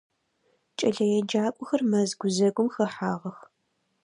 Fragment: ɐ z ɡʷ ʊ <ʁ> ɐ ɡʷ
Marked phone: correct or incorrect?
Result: incorrect